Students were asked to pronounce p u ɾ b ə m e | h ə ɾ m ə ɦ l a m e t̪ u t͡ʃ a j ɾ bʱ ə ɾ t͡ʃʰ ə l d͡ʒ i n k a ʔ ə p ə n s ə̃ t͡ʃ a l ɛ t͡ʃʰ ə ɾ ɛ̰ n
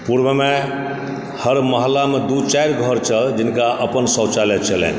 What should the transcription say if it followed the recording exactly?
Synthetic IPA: p u ɾ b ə m e | h ə ɾ m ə ɦ l a m e d̪ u t͡ʃ a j ɾ ɡʱ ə ɾ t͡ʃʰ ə l d͡ʒ i n k a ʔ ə p ə n s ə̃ t͡ʃ a l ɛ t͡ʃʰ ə l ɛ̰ n